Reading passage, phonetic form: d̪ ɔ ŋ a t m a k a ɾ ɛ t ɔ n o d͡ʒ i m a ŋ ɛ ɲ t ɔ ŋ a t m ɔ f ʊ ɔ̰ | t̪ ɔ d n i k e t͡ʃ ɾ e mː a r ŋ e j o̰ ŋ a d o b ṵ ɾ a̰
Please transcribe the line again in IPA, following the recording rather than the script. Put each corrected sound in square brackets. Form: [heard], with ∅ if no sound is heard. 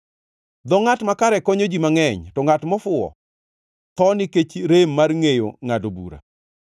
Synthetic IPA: d̪ ɔ ŋ a t m a k a ɾ ɛ [k] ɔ [ɲ] o d͡ʒ i m a ŋ ɛ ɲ t ɔ ŋ a t m ɔ f ʊ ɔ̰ | t̪ ɔ [∅] n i k e t͡ʃ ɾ e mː a r ŋ e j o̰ ŋ a d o b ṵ ɾ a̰